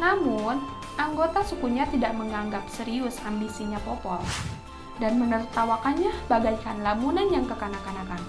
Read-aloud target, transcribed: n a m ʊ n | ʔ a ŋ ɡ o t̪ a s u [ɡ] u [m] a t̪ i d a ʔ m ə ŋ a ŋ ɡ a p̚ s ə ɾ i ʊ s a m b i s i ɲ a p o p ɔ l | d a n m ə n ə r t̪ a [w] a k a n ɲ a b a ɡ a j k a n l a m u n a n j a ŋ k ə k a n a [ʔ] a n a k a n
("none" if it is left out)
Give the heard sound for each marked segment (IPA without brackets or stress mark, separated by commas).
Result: k, ɲ, w, k